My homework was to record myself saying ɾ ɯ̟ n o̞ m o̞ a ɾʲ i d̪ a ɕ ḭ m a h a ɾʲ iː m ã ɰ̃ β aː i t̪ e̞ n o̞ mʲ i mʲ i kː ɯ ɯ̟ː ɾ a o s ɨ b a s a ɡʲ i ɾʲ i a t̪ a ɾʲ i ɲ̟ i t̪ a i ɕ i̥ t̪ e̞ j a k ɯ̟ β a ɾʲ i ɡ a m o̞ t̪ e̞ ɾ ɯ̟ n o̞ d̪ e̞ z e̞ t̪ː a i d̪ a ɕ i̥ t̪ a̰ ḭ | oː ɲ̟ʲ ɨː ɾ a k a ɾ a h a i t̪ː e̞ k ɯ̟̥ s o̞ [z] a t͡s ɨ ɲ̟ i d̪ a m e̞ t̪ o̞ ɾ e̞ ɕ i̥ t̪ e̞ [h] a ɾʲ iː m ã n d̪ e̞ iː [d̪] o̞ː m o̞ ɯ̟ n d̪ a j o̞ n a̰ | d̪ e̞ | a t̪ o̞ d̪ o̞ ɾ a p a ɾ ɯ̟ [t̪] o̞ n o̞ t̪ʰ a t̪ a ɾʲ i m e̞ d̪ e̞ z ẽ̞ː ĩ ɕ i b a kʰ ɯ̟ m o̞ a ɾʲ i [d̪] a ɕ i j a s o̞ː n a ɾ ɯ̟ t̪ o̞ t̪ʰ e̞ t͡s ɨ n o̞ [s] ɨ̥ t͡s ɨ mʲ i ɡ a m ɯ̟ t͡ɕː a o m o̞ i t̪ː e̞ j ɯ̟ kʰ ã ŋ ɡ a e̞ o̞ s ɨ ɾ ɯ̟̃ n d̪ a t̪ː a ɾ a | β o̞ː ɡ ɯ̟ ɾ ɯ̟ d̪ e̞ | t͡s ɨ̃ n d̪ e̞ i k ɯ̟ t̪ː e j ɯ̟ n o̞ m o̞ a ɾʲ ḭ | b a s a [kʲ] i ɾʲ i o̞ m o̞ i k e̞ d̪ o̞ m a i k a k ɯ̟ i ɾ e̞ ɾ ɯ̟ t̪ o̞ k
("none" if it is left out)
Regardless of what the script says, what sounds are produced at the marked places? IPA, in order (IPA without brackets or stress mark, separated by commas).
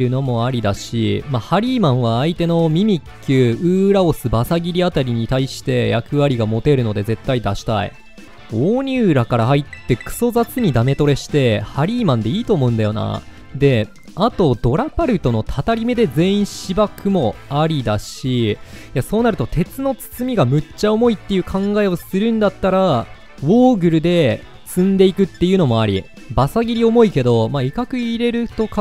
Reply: z, h, t̪, t̪, d̪, t͡s, ɡʲ